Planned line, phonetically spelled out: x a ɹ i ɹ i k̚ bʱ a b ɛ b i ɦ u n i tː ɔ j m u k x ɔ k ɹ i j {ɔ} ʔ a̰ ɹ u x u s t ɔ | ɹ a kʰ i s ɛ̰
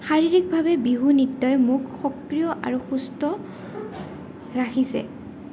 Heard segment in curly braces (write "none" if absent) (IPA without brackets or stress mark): ɔ